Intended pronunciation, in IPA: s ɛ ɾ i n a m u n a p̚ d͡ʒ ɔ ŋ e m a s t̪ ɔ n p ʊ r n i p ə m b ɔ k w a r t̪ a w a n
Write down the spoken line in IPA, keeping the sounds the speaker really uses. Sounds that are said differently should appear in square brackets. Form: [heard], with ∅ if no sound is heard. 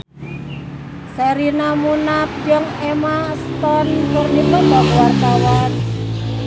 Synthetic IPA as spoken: s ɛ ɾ i n a m u n a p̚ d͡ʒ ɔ ŋ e m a s t̪ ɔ n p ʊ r n i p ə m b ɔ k w a r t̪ a w a n